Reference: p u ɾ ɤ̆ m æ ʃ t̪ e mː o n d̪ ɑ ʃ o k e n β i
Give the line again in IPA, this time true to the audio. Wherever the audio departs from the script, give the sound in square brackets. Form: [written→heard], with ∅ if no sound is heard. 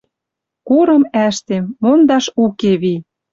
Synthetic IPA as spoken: [p→k] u ɾ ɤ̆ m æ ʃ t̪ e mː o n d̪ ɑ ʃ [o→u] k e [n→∅] β i